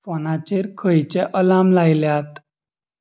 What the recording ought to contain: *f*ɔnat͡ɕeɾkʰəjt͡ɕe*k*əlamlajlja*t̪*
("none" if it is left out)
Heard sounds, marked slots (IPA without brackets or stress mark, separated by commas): f, ʔ, t̪